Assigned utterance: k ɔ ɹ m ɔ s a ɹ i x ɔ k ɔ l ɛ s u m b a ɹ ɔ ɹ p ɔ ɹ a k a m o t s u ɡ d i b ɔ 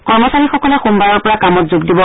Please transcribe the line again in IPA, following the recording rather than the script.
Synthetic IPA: k ɔ ɹ m ɔ s a ɹ i x ɔ k ɔ l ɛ x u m b a ɹ ɔ ɹ p ɔ ɹ a k a m ɔ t z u ɡ d i b ɔ